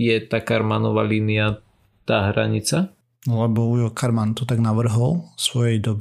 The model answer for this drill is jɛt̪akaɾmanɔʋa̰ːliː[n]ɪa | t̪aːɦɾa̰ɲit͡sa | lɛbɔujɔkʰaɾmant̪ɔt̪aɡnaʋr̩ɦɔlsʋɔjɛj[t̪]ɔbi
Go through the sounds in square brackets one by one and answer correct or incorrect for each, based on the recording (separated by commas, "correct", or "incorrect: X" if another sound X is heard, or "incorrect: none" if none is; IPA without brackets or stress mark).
correct, incorrect: d̪